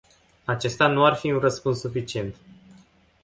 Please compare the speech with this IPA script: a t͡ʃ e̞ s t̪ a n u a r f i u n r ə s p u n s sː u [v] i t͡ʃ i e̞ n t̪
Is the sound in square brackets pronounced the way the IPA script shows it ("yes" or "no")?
no